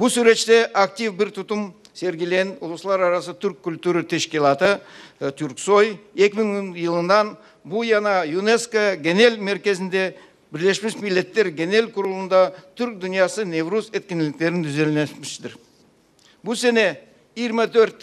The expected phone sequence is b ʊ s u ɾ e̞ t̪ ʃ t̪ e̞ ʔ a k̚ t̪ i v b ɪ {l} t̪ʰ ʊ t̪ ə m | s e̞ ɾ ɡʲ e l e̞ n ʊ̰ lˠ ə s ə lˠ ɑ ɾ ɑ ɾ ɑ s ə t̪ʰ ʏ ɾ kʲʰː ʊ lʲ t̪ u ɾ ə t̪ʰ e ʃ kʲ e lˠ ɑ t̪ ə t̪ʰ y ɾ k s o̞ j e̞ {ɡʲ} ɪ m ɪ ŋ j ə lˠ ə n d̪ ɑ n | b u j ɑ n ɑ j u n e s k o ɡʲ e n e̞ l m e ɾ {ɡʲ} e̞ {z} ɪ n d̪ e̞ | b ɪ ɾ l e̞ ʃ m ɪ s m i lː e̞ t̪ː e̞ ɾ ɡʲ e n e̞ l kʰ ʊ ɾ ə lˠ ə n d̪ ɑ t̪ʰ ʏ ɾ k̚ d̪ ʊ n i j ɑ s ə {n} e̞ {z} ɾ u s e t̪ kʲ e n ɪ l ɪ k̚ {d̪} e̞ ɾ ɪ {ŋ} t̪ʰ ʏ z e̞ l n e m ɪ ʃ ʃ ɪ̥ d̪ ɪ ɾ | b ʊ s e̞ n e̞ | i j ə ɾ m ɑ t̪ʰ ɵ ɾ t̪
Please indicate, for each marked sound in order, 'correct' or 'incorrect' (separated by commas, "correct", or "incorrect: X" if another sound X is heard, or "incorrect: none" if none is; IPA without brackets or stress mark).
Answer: incorrect: ɾ, incorrect: kʲ, incorrect: kʲ, correct, correct, incorrect: v, incorrect: t̪, incorrect: n